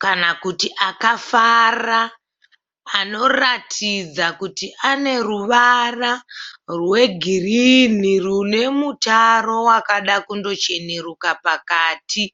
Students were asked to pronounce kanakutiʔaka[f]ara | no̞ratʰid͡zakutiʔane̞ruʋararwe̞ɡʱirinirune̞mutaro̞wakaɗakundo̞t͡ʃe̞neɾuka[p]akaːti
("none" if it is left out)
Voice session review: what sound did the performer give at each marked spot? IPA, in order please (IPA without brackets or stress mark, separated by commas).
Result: f, p